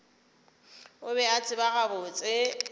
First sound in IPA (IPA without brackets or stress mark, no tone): ʊ